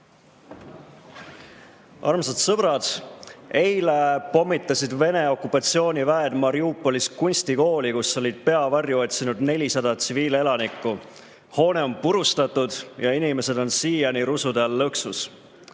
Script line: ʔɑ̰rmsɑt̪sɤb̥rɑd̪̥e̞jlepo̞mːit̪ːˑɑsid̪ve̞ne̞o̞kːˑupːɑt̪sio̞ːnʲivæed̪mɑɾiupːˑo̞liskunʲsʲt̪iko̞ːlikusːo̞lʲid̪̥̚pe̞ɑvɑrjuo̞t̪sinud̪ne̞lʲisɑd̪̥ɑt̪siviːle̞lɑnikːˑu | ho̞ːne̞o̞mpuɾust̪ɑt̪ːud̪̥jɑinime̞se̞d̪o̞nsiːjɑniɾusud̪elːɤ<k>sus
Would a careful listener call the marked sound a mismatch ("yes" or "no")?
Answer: no